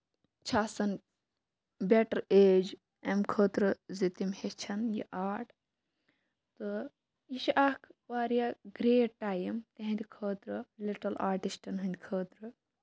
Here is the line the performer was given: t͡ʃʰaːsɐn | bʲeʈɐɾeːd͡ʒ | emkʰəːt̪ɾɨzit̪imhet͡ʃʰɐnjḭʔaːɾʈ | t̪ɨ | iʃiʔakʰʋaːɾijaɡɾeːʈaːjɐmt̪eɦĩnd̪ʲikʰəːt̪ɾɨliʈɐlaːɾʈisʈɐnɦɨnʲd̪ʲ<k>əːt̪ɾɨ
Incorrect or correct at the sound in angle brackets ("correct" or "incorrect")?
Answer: incorrect